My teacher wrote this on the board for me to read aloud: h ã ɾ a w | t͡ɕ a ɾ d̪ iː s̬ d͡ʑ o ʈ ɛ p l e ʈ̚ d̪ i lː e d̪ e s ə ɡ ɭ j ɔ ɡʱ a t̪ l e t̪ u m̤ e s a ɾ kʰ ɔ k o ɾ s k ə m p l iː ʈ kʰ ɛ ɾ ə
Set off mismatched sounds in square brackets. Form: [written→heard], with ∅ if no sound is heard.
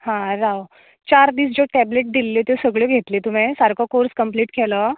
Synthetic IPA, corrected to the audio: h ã ɾ a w | t͡ɕ a ɾ d̪ iː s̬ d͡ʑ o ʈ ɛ [p→b] l e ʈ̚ d̪ i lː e [d̪→t̪] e s ə ɡ ɭ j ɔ ɡʱ [a→e] t̪ l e t̪ u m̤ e s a ɾ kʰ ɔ k o ɾ s k ə m p l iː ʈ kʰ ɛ [ɾ→l] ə